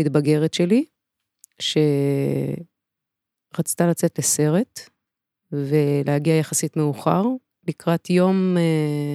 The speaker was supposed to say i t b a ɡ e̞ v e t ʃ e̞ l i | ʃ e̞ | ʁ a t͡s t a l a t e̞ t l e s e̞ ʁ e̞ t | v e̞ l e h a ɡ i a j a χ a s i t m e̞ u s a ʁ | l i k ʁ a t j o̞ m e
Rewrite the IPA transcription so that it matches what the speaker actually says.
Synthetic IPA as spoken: i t b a ɡ e̞ ʁ e t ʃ e̞ l i | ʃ e̞ | ʁ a t͡s t a l a t͡s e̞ t l e s e̞ ʁ e̞ t | v e̞ l e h a ɡ i a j a χ a s i t m e̞ u χ a ʁ | l i k ʁ a t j o̞ m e